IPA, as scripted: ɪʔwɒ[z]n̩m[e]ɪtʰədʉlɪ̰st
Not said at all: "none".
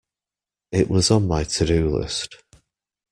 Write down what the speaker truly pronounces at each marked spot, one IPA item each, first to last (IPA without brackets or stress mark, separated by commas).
z, a